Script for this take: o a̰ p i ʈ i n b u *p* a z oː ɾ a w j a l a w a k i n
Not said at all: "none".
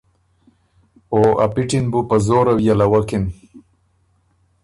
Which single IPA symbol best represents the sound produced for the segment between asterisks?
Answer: p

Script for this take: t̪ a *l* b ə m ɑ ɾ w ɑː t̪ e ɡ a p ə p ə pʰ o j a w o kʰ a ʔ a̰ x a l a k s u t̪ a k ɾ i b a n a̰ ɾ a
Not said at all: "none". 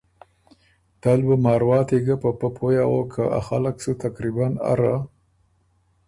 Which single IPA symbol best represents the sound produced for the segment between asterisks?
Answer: l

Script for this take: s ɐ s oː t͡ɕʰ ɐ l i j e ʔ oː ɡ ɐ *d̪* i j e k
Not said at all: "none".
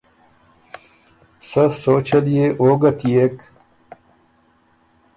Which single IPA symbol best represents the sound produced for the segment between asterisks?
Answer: t̪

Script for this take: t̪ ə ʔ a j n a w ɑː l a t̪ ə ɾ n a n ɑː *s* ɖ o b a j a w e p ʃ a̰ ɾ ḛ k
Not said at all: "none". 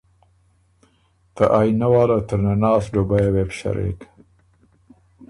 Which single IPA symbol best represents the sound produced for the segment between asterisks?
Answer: s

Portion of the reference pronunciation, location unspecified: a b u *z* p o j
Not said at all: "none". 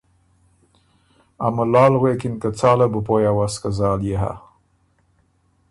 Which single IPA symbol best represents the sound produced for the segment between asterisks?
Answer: none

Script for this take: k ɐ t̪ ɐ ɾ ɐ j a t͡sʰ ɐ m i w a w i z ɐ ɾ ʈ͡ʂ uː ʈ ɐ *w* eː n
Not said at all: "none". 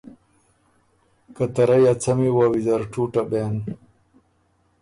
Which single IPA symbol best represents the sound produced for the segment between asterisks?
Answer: b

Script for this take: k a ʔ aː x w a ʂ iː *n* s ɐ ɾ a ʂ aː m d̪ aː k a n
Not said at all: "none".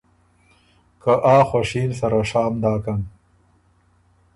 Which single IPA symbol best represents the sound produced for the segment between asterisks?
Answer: n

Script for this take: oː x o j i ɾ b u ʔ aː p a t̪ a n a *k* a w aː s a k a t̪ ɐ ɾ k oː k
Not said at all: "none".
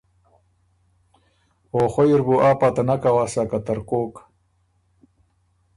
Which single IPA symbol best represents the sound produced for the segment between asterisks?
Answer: k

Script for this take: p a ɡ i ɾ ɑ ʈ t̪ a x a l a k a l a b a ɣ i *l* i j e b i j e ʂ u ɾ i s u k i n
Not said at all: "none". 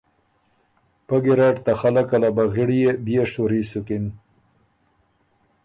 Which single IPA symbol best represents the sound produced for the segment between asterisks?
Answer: ɽ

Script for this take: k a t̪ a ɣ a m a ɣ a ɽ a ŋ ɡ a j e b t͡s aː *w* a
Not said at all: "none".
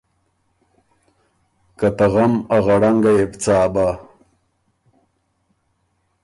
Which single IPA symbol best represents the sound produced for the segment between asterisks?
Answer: b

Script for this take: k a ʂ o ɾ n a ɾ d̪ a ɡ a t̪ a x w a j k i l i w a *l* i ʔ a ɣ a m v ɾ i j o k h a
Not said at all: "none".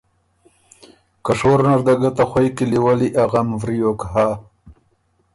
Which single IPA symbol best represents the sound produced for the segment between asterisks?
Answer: l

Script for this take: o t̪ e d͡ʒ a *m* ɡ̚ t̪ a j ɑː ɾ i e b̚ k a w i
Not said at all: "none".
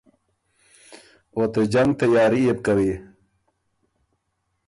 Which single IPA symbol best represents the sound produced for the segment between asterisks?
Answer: ŋ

